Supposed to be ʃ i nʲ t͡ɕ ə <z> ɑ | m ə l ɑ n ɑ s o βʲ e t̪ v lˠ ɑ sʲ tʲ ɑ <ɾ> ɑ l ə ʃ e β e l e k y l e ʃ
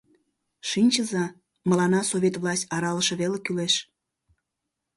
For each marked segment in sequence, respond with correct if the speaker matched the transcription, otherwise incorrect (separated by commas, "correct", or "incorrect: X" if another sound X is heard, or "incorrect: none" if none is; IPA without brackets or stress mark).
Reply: correct, correct